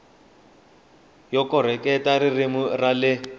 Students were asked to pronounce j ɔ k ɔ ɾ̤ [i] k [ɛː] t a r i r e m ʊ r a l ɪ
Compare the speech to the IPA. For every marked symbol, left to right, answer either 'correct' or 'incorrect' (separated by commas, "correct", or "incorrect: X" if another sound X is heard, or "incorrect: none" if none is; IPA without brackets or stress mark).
incorrect: ɛ, incorrect: ɛ